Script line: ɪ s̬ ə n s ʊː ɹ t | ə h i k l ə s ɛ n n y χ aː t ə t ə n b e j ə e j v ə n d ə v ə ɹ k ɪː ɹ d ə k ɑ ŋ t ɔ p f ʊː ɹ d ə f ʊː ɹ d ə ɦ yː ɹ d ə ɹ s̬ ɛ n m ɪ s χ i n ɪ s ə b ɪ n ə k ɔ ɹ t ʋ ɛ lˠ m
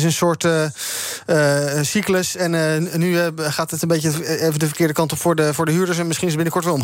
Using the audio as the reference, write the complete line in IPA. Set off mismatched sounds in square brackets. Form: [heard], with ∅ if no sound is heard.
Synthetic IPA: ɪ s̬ ə n s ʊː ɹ t | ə [s] i k l ə s ɛ n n y χ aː t ə t ə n b e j ə e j v ə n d ə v ə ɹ k ɪː ɹ d ə k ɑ [n] t ɔ p f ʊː ɹ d ə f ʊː ɹ d ə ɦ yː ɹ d ə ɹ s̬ ɛ n m ɪ s χ i n ɪ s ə b ɪ n ə k ɔ ɹ t ʋ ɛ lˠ m